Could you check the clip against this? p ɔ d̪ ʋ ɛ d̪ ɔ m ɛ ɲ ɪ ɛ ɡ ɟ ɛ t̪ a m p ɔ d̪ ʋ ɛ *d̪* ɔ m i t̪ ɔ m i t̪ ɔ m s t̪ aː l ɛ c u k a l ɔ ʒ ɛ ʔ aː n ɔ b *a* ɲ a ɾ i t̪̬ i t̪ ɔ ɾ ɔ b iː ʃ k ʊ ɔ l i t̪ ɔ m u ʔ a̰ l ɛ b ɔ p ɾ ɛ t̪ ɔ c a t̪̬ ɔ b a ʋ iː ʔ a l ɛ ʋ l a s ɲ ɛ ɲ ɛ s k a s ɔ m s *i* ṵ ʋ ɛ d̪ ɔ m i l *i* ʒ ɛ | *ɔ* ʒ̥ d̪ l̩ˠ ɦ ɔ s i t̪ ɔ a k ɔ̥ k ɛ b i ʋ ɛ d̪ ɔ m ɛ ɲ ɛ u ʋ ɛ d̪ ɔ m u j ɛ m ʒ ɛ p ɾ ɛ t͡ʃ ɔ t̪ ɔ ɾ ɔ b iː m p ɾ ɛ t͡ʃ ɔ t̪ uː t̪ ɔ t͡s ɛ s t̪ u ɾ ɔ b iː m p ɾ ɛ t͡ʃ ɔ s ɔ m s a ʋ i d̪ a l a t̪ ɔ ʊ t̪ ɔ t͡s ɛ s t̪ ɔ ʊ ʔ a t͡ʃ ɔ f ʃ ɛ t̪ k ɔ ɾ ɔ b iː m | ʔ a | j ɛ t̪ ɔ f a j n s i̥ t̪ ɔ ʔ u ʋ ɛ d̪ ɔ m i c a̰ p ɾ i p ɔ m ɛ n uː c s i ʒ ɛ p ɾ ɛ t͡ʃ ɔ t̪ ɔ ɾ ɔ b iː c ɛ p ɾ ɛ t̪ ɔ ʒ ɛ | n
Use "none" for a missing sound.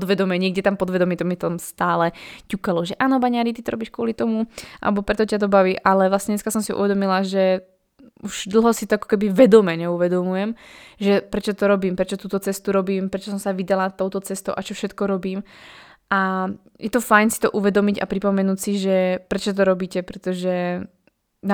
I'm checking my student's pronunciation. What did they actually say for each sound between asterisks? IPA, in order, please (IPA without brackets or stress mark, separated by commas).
d̪, a, i, a, u